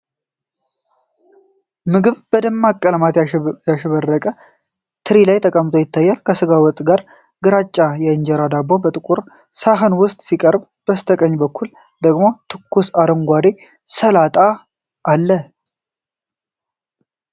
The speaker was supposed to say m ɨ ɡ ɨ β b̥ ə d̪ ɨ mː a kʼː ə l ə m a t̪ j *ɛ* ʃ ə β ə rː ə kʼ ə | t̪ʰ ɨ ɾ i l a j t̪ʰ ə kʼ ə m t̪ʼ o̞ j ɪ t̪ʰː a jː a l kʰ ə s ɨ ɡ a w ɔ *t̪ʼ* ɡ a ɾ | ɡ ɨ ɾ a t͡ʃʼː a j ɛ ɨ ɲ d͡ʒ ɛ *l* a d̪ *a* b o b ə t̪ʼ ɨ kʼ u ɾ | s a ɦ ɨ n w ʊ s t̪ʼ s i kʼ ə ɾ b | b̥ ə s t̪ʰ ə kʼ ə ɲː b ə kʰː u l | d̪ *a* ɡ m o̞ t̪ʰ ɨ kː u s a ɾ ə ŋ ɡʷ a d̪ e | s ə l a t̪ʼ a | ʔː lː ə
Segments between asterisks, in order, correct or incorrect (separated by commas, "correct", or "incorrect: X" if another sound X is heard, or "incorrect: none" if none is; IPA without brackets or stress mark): incorrect: a, correct, incorrect: ɾ, correct, incorrect: ə